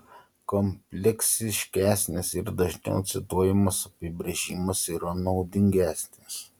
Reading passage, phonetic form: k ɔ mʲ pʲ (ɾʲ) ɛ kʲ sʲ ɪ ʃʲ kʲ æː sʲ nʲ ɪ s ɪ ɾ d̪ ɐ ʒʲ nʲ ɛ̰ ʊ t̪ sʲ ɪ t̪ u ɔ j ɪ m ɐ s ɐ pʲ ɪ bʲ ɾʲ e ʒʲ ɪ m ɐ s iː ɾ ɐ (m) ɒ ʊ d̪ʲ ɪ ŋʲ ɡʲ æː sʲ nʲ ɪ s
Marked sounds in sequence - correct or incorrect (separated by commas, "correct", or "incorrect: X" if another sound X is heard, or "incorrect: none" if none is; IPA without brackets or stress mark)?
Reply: incorrect: lʲ, incorrect: n